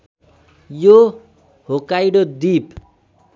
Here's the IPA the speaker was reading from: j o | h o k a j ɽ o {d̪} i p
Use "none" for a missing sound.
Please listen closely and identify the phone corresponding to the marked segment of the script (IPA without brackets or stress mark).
d̪